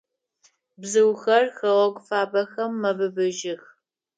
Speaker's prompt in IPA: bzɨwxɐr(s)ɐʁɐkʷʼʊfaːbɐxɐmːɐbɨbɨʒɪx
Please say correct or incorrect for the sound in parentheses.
incorrect